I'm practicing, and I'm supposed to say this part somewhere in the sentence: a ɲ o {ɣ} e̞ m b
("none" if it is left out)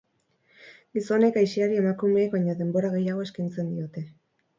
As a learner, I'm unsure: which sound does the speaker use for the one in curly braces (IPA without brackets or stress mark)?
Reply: ð